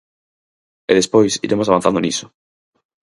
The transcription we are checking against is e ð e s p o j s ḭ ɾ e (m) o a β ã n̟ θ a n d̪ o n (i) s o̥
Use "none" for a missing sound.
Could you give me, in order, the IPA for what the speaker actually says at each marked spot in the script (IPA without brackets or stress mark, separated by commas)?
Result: m, i